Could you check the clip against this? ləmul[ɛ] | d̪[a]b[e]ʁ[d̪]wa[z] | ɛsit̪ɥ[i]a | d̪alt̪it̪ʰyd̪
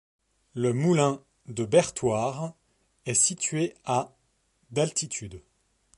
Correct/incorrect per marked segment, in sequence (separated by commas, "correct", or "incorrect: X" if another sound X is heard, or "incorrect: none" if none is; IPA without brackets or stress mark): incorrect: ɛ̃, incorrect: ə, incorrect: ɛ, incorrect: t̪, incorrect: ʁ, incorrect: e